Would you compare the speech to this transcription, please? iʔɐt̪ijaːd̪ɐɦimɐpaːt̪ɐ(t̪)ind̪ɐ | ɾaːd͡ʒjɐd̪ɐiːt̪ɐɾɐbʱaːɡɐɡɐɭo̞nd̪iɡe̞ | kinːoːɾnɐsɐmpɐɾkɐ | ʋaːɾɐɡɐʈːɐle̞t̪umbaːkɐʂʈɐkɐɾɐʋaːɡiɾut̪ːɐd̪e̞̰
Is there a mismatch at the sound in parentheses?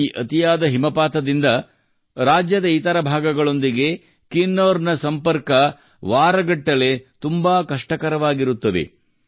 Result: yes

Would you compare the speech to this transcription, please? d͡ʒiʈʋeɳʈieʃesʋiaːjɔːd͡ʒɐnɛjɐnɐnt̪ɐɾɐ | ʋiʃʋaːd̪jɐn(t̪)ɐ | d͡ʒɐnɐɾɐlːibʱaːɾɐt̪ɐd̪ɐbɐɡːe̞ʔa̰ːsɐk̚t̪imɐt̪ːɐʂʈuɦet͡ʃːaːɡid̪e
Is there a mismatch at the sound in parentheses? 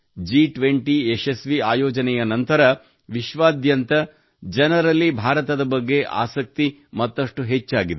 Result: no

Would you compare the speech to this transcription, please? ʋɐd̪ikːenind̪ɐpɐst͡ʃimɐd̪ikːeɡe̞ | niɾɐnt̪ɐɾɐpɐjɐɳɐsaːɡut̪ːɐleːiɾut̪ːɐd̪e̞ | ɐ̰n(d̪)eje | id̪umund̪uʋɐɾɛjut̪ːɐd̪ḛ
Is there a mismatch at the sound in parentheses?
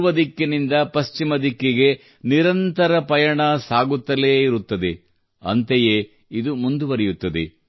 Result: yes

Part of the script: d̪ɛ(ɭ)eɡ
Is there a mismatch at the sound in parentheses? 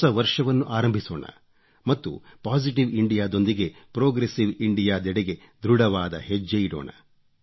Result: yes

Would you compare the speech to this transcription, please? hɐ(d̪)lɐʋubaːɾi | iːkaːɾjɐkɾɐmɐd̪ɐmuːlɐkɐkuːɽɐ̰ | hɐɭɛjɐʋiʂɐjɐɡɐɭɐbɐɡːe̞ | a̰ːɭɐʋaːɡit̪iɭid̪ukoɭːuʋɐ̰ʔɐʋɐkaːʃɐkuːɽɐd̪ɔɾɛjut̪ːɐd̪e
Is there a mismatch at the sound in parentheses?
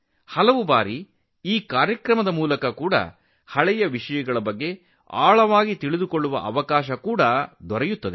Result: yes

